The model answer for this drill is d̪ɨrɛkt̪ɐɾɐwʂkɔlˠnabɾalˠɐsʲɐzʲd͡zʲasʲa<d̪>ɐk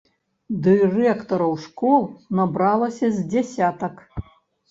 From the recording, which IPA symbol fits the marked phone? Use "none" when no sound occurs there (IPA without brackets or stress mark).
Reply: t̪